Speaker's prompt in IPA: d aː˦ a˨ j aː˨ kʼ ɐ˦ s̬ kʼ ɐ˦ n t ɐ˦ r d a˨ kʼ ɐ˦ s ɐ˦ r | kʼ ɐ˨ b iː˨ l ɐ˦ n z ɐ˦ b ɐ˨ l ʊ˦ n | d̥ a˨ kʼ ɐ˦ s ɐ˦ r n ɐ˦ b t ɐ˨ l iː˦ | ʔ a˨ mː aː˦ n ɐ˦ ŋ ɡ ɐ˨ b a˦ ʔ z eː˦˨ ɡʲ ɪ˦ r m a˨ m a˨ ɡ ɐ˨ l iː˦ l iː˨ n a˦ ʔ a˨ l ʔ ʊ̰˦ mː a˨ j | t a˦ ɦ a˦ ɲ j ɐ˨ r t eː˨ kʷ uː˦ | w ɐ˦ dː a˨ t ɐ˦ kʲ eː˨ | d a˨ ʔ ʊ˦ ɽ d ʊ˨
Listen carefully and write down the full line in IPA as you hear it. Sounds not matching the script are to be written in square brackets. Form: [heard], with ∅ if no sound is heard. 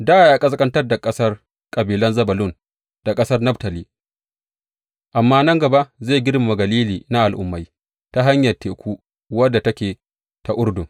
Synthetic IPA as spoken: d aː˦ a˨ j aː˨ kʼ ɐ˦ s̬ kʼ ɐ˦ n t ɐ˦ r d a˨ kʼ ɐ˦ s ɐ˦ r | kʼ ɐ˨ b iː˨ l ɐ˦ n z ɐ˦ b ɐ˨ l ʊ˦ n | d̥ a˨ kʼ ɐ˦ s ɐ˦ r n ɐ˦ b t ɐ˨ l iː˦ | ʔ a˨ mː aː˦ n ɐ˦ ŋ ɡ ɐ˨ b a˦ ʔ z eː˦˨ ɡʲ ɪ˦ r m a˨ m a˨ ɡ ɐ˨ l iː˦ l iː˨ n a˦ ʔ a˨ l ʔ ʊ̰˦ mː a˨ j | t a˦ ɦ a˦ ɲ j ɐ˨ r t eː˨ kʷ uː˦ | w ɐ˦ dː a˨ t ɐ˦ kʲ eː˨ | [t] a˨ ʔ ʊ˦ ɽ d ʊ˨

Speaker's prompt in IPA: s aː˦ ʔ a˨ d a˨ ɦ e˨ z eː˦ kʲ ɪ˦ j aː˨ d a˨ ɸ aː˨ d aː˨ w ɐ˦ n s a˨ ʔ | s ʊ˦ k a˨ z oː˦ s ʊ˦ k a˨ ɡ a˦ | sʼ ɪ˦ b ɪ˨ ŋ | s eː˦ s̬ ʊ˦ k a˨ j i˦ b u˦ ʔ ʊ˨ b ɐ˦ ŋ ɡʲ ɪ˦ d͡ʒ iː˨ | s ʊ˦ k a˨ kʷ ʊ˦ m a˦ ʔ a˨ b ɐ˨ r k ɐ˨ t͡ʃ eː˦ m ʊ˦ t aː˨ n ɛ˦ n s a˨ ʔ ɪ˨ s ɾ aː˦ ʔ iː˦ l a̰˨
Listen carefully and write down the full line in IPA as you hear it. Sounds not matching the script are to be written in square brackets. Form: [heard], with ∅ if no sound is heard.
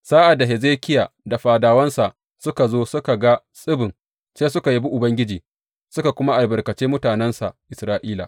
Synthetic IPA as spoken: s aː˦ ʔ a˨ d a˨ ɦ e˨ z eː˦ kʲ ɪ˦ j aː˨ d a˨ ɸ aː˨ d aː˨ w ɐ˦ n s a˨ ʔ | s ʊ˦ k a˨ z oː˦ s ʊ˦ k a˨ ɡ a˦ | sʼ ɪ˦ b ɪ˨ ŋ | s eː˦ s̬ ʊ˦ k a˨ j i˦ b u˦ ʔ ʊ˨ b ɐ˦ ŋ ɡʲ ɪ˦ d͡ʒ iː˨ | s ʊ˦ k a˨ kʷ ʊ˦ m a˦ ʔ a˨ b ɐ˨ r k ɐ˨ t͡ʃ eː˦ m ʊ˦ t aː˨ n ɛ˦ n s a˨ ʔ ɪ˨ s ɾ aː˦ ʔ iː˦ l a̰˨

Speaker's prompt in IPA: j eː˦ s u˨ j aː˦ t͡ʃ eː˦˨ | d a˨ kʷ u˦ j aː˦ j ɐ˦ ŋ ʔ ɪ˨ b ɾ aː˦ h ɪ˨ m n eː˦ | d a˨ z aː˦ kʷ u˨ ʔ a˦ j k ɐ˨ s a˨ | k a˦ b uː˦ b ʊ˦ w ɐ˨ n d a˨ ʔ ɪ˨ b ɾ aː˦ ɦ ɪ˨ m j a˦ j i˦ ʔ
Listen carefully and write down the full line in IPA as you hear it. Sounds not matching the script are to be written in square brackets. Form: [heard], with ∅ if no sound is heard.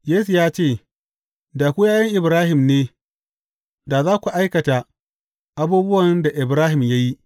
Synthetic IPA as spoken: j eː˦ s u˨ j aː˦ t͡ʃ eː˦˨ | d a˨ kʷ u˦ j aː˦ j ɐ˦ ŋ ʔ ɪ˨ b ɾ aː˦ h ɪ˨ m n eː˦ | d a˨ z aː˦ kʷ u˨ ʔ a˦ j k ɐ˨ [t] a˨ | [ʔ] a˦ b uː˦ b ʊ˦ w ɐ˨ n d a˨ ʔ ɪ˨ b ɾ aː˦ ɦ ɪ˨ m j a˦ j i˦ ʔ

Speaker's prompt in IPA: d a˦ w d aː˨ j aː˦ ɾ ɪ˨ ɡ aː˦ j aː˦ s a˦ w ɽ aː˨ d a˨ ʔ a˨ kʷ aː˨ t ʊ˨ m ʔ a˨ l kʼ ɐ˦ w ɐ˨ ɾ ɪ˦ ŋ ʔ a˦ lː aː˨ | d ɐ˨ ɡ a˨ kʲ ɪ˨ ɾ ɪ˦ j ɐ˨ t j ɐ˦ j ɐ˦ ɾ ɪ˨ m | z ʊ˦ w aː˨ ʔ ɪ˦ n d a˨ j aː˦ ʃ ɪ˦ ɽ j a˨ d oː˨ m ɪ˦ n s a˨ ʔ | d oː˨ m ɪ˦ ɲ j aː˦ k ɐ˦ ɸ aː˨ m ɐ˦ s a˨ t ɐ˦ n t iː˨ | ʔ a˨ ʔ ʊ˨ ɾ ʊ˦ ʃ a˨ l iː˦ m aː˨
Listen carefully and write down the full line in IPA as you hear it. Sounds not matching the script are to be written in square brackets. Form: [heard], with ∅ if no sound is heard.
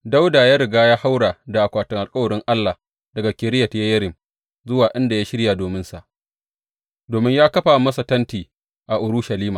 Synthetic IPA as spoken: d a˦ w d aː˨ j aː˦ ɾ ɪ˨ ɡ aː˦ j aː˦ [h] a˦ w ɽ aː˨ d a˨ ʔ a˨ kʷ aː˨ t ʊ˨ [ŋ] ʔ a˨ l kʼ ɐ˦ w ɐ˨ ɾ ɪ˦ ŋ ʔ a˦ lː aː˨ | d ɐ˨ ɡ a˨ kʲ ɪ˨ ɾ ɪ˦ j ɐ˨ t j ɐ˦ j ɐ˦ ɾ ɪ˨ m | z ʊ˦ w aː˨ ʔ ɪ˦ n d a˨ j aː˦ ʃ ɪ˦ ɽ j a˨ d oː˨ m ɪ˦ n s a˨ ʔ | d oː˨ m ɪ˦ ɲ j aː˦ k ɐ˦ ɸ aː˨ m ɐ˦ s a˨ t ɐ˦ n t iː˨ | ʔ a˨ ʔ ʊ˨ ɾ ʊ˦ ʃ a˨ l iː˦ m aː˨

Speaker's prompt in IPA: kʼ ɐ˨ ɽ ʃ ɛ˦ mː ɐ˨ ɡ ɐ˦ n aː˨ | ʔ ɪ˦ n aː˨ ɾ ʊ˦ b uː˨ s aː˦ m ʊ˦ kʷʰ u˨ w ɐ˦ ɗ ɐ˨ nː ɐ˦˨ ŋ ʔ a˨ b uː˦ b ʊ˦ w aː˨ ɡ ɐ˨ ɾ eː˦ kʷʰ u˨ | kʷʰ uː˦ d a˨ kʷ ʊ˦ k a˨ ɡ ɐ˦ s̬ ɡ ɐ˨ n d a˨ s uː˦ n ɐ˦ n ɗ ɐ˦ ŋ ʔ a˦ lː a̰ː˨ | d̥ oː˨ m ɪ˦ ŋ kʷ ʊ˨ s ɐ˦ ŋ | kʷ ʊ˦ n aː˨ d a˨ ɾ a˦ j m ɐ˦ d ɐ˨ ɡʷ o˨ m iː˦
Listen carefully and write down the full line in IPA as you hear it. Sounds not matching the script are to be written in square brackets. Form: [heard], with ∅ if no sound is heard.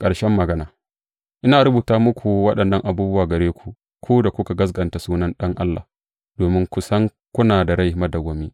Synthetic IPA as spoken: kʼ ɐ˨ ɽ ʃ ɛ˦ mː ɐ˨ ɡ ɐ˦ n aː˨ | ʔ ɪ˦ n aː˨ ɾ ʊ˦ b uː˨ [t] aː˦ m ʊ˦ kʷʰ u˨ w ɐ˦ ɗ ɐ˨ nː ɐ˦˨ ŋ ʔ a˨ b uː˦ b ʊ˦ w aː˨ ɡ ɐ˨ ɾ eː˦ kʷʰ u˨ | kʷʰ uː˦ d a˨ kʷ ʊ˦ k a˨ ɡ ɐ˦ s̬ ɡ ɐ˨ n [t] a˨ s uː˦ n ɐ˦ n ɗ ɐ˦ ŋ ʔ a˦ lː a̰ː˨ | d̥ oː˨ m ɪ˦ ŋ kʷ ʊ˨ s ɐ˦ ŋ | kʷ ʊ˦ n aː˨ d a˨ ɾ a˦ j m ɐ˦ d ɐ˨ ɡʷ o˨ m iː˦

